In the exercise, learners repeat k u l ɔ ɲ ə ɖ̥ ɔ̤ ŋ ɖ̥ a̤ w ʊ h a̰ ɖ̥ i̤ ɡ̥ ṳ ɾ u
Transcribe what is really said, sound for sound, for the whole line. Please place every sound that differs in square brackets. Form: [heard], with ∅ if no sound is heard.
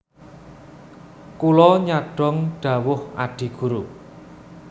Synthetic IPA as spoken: k u l ɔ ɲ [a] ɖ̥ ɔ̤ ŋ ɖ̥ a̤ w ʊ h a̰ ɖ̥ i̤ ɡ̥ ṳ ɾ u